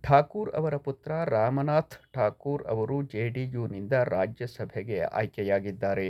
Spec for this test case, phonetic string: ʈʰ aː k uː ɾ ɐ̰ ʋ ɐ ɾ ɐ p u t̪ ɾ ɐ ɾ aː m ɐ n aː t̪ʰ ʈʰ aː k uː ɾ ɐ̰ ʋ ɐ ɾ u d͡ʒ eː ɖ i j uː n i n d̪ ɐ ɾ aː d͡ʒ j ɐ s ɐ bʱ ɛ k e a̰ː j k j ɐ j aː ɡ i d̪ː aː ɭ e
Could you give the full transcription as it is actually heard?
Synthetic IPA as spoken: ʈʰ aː k uː ɾ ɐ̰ ʋ ɐ ɾ ɐ p u t̪ ɾ ɐ ɾ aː m ɐ n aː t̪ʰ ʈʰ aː k uː ɾ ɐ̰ ʋ ɐ ɾ u d͡ʒ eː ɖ i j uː n i n d̪ ɐ ɾ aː d͡ʒ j ɐ s ɐ bʱ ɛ ɡ e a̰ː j k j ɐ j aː ɡ i d̪ː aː ɾ e